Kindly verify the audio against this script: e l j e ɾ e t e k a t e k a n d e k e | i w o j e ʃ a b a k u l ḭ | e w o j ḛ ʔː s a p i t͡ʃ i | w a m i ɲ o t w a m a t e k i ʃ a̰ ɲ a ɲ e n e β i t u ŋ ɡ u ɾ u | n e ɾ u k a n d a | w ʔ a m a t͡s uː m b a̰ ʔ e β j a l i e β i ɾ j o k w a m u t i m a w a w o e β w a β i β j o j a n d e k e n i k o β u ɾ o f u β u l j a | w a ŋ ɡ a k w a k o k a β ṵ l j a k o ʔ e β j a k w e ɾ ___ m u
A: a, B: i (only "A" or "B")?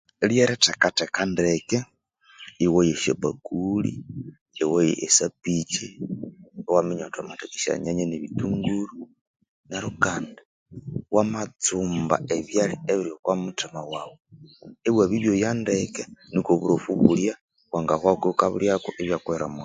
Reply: A